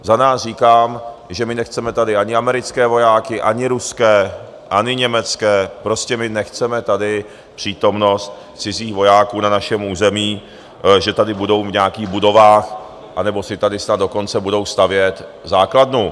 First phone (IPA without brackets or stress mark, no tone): z